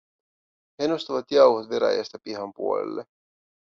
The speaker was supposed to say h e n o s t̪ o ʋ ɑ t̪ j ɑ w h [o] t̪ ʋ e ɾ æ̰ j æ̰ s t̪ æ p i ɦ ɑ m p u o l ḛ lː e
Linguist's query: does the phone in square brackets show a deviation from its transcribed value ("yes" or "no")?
no